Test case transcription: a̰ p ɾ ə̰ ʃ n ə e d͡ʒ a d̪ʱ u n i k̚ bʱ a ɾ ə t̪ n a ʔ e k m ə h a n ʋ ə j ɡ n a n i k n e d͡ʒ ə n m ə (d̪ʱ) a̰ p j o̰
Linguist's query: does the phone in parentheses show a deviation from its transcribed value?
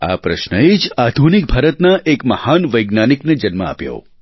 yes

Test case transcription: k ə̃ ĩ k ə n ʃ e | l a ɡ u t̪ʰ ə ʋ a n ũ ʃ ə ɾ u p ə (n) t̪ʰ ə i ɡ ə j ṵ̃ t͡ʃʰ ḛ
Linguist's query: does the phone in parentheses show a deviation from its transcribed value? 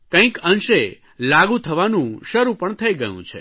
yes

